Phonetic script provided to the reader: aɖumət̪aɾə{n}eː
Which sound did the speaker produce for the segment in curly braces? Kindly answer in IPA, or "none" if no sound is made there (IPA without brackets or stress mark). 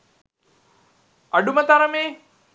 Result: m